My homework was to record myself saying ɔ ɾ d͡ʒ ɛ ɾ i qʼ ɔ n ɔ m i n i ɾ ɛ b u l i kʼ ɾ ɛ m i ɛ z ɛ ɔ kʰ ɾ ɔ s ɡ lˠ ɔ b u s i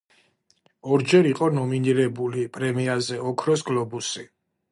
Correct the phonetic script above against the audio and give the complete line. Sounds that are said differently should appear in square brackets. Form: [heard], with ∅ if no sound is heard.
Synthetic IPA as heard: ɔ ɾ d͡ʒ ɛ ɾ i qʼ ɔ n ɔ m i n i ɾ ɛ b u l i [pʼ] ɾ ɛ m i [a] z ɛ ɔ kʰ ɾ ɔ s ɡ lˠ ɔ b u s i